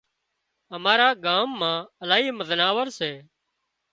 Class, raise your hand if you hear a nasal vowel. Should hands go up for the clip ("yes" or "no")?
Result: yes